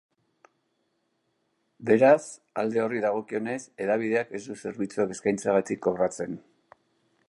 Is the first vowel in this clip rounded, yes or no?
no